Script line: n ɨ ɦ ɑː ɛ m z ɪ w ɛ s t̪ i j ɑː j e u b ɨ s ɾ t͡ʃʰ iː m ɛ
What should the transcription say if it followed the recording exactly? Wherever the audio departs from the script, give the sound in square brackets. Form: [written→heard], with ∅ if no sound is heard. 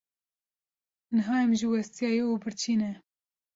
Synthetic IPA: n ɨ ɦ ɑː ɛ m [z→ʒ] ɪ w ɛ s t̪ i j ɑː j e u b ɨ [s→∅] ɾ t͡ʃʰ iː [m→n] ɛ